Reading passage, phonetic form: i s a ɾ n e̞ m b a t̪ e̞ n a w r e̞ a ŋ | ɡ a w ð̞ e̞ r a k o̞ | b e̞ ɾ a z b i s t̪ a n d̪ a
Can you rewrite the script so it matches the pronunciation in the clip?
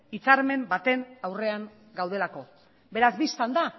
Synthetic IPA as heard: i t͡s a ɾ m e̞ m b a t̪ e̞ n a w r e̞ a ŋ | ɡ a w ð̞ e̞ l a k o̞ | b e̞ ɾ a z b i s t̪ a n d̪ a